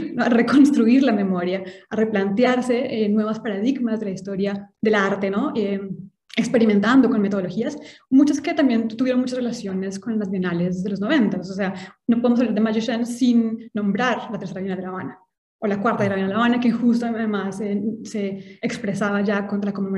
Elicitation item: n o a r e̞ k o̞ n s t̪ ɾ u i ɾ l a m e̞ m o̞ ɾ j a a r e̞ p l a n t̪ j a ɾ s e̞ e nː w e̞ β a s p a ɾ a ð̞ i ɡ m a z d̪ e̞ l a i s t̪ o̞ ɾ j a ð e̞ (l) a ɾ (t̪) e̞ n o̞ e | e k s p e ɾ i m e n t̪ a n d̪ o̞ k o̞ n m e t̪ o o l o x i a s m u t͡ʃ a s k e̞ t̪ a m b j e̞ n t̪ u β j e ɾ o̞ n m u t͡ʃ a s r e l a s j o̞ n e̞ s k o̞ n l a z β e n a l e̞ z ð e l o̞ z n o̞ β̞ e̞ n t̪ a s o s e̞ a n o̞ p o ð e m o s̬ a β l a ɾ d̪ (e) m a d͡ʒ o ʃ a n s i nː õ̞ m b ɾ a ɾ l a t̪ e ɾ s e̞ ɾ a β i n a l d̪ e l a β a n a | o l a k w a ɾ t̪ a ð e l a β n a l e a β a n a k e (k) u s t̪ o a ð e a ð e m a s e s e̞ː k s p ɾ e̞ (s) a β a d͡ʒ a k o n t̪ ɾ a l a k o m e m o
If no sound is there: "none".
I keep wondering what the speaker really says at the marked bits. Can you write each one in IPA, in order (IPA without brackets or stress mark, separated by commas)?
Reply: l, t̪, e, x, s